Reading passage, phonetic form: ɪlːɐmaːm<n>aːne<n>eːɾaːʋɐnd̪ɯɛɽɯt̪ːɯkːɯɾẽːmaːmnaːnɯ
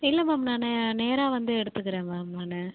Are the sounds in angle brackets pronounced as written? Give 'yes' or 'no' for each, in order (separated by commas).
yes, yes